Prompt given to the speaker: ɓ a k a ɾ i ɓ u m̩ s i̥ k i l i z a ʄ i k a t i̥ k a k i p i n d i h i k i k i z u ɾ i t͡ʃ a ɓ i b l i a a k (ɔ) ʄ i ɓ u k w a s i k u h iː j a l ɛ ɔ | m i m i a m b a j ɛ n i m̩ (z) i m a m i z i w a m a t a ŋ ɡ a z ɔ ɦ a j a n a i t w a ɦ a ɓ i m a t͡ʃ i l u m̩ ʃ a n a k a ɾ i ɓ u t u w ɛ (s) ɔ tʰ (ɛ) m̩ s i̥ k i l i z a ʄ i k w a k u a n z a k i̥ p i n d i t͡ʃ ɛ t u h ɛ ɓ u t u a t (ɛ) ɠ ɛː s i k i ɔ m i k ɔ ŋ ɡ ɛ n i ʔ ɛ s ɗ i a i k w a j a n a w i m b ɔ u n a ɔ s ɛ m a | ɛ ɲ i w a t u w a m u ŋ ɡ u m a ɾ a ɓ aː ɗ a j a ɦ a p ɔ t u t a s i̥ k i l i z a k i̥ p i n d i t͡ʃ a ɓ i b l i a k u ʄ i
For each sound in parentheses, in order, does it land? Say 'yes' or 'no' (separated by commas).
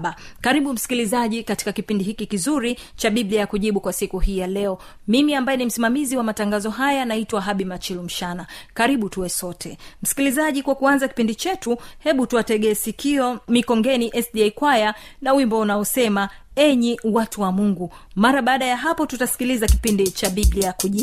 no, no, yes, yes, yes